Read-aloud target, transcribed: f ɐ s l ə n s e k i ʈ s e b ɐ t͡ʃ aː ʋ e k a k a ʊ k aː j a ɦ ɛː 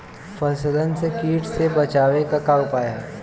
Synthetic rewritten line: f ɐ s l ə n s e k iː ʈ s e b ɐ t͡ʃ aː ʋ e k a k a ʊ p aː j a ɦ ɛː